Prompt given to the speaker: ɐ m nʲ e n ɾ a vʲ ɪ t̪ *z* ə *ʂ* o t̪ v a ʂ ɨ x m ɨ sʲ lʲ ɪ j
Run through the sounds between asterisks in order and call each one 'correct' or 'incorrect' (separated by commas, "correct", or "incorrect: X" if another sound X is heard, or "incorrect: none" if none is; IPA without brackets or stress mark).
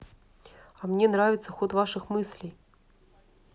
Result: incorrect: s, incorrect: x